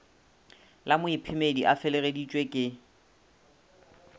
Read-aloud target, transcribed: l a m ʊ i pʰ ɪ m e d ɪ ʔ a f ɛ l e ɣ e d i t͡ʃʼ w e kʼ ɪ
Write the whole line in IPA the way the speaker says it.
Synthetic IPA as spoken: l a m ʊ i pʰ ɪ m e d i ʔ a f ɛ l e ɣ e d i t͡ʃʼ w e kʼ ɪ